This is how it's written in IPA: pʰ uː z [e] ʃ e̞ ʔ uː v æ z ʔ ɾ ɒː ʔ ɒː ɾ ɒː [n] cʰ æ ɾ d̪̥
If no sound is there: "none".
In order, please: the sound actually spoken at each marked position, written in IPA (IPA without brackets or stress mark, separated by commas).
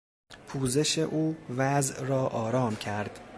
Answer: e, m